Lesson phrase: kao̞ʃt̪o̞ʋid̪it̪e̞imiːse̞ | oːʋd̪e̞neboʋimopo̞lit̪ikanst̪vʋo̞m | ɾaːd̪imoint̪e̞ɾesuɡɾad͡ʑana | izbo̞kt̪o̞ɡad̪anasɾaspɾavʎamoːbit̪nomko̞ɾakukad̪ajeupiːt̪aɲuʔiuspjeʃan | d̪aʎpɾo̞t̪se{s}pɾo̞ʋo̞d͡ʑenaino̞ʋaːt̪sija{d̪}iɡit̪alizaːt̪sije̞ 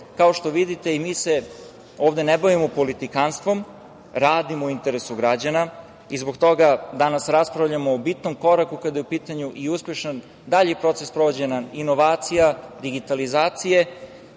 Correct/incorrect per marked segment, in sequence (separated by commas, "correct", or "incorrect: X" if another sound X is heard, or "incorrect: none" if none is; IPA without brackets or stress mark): correct, correct